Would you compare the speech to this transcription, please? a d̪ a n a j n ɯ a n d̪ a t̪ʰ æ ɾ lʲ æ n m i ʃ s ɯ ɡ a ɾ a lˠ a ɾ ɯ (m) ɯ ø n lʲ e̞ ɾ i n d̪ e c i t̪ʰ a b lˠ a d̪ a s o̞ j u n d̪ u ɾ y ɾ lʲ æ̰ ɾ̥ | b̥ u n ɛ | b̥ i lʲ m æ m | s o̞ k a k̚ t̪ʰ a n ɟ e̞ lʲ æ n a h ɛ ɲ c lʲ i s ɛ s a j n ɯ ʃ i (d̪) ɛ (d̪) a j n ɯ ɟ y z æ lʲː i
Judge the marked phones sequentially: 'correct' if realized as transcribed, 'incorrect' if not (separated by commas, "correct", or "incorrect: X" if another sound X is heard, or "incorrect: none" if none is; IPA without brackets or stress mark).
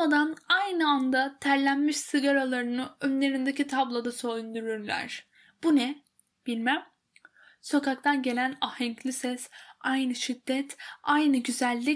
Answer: incorrect: n, incorrect: d̪ː, incorrect: t̪